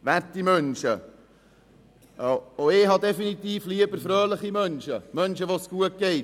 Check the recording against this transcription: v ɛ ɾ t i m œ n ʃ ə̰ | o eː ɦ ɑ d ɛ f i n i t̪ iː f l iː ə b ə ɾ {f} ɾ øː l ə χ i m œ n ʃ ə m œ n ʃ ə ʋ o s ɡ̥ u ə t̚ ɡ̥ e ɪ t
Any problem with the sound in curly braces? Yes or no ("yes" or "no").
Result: no